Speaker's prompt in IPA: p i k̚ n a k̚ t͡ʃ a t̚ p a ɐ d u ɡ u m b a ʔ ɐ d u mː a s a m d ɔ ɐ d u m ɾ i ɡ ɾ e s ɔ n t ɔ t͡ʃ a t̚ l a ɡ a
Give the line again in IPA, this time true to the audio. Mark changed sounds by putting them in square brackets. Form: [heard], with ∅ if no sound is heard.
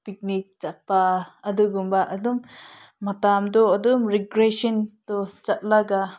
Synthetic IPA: p i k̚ n [i] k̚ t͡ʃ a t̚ p a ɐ d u ɡ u m b a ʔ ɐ d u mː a [t] a m d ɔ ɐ d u m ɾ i ɡ ɾ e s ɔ n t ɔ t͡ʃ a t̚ l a ɡ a